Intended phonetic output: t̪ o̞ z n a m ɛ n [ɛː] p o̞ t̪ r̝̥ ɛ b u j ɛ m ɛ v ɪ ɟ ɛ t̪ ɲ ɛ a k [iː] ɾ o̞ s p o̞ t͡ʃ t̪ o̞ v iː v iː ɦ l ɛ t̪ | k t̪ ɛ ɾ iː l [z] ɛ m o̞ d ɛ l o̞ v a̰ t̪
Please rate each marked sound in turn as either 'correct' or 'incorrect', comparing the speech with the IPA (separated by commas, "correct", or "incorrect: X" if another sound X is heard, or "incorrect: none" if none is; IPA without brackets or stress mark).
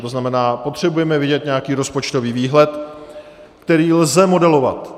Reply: incorrect: aː, correct, correct